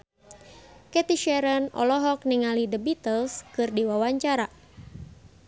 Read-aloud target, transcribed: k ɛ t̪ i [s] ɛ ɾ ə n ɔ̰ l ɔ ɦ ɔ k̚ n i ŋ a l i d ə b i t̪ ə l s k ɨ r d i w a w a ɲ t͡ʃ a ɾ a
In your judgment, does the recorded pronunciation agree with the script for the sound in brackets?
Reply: no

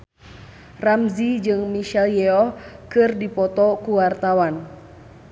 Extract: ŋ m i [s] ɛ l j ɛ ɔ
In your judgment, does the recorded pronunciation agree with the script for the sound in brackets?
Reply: no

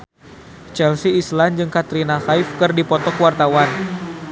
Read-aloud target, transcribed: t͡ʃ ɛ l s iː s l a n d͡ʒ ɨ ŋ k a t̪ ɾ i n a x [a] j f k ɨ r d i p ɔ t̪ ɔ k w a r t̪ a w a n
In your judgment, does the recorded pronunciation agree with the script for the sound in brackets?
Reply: yes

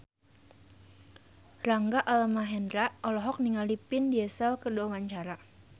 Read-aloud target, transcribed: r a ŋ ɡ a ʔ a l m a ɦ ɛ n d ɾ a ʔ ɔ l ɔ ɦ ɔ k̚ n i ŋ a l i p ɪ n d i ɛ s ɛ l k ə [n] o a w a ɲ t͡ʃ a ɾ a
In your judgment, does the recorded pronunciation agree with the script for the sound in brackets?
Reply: no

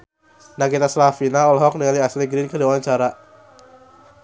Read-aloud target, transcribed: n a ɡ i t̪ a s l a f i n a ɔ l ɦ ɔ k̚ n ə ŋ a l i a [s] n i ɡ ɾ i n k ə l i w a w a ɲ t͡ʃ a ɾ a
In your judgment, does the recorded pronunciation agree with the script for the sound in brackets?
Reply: yes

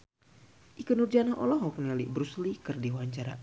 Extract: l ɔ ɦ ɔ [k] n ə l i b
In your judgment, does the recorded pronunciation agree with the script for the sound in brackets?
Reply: yes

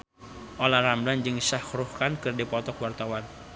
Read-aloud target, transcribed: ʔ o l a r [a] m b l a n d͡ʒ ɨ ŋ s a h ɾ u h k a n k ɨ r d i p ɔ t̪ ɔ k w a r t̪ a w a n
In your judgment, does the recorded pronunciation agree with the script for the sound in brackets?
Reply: yes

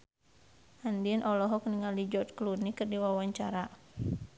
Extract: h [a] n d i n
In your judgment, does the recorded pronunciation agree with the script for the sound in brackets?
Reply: yes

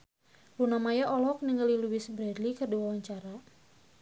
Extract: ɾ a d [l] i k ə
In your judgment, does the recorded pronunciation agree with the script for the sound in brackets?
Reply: yes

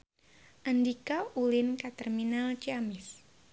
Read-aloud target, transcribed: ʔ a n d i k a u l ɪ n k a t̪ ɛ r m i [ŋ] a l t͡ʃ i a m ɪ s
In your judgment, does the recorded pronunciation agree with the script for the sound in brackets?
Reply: no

